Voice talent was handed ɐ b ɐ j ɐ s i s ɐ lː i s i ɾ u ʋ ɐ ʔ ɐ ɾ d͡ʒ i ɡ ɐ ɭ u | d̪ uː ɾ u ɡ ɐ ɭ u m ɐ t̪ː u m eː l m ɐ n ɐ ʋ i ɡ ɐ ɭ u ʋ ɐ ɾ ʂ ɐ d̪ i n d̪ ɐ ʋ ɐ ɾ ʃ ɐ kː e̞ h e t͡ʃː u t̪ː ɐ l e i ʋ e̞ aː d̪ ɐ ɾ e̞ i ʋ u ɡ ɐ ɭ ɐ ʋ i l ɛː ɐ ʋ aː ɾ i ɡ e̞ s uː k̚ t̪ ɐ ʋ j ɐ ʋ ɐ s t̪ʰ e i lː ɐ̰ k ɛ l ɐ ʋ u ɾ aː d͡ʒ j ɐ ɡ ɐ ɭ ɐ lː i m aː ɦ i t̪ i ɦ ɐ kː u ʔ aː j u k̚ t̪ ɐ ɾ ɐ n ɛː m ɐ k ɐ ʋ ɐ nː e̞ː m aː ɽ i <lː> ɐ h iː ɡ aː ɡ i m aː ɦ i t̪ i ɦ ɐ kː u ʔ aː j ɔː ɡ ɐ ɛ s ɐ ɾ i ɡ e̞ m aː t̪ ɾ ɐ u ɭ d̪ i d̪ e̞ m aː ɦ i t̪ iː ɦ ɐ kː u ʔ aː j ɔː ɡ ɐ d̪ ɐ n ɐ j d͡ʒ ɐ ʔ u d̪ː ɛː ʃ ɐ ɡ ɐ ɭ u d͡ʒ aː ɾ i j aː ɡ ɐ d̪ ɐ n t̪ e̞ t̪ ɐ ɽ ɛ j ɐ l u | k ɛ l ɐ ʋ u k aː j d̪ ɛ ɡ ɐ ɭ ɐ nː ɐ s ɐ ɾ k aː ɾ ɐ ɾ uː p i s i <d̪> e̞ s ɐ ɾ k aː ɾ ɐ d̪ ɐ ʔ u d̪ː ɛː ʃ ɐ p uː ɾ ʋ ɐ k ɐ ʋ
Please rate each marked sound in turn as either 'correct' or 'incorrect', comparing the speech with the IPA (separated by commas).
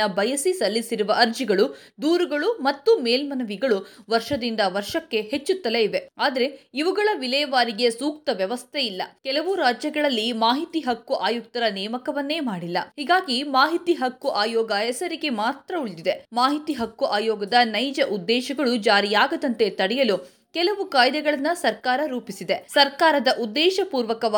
correct, correct